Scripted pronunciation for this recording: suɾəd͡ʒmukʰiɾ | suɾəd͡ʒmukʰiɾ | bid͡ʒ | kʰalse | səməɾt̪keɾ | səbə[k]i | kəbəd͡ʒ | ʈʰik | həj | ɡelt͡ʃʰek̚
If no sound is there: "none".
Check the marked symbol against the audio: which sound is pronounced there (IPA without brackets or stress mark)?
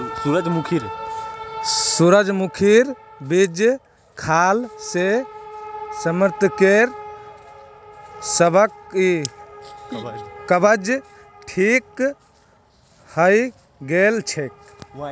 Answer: k